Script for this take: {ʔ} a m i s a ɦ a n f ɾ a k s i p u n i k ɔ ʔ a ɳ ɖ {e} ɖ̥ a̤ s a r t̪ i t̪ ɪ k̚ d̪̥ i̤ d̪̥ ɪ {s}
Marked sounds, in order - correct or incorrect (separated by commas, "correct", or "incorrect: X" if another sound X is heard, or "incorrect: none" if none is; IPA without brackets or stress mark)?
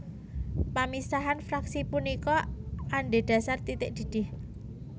incorrect: p, correct, incorrect: h